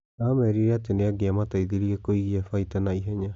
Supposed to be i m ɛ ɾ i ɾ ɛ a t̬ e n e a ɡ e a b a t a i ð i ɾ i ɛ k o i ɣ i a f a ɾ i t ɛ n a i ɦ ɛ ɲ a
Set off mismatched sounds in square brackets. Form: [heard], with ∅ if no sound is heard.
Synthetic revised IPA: [a] m ɛ ɾ i ɾ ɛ a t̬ e n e a ɡ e a [m] a t a i ð i ɾ i ɛ k o i ɣ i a f a [∅] i t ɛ n a i ɦ ɛ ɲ a